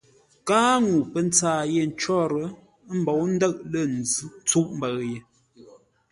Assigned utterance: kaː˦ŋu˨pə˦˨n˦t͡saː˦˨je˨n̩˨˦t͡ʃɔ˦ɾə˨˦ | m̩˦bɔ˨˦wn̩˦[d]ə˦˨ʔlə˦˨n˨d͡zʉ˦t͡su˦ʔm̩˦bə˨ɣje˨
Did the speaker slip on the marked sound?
no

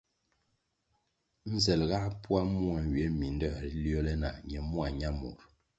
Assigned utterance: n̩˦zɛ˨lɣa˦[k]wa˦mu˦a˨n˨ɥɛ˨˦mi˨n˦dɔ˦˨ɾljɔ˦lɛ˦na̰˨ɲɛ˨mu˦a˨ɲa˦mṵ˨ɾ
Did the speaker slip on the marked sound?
yes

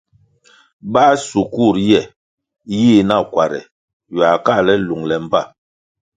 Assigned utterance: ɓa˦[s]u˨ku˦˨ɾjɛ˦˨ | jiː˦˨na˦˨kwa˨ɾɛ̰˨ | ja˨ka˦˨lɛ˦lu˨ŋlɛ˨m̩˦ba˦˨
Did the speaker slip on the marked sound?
no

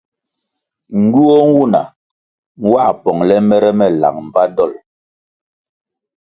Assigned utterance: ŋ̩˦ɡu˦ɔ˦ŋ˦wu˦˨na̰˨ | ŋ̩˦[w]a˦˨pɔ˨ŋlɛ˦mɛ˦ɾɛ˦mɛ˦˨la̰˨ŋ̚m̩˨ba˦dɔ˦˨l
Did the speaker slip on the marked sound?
no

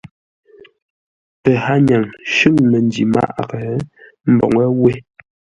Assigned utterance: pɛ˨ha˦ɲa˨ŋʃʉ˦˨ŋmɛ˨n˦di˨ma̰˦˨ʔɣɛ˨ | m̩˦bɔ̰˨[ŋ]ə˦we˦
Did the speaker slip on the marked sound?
no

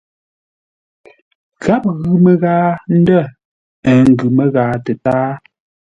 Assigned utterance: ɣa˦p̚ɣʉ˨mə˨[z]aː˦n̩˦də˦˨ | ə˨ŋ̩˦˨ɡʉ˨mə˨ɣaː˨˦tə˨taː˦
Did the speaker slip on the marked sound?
yes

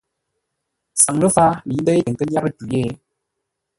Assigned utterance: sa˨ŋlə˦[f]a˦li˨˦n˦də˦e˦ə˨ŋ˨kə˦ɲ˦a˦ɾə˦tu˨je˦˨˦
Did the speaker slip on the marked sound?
no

